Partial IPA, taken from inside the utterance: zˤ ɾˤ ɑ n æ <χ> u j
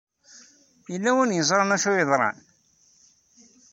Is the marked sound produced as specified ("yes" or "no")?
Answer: no